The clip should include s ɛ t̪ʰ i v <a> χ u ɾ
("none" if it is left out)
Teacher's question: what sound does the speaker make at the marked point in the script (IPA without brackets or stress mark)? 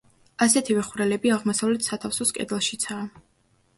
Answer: ɛ